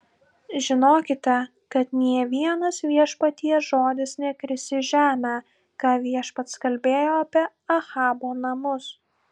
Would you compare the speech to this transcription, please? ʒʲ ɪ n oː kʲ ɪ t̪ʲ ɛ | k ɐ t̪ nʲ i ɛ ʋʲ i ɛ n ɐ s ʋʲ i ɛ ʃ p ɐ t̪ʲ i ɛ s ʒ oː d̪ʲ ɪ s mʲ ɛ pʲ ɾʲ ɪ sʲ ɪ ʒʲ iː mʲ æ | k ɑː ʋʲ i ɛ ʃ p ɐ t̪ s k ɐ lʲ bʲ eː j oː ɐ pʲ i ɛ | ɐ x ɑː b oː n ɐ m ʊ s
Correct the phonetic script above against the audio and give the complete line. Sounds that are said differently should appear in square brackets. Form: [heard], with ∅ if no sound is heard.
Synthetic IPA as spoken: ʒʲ ɪ n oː kʲ ɪ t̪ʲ ɛ | k ɐ t̪ nʲ i ɛ ʋʲ i ɛ n ɐ s ʋʲ i ɛ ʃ p ɐ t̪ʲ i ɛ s ʒ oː d̪ʲ ɪ s [nʲ] ɛ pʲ ɾʲ ɪ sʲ ɪ ʒʲ [æː] mʲ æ | k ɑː ʋʲ i ɛ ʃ p ɐ t̪ s k ɐ lʲ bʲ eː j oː ɐ pʲ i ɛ | ɐ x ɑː b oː n ɐ m ʊ s